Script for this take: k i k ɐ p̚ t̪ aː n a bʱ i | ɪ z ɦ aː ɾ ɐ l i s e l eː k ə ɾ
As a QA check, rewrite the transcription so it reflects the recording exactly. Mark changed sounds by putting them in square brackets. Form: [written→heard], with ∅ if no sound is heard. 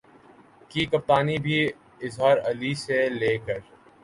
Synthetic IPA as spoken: k i k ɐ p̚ t̪ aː n [a→i] bʱ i | ɪ z ɦ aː ɾ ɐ l i s e l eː k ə ɾ